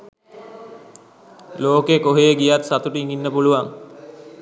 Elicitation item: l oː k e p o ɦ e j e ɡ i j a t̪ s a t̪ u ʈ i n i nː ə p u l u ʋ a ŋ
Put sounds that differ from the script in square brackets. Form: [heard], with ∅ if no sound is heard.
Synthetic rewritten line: l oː k e [k] o ɦ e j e ɡ i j a t̪ s a t̪ u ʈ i [ŋ] i nː ə p u l u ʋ a ŋ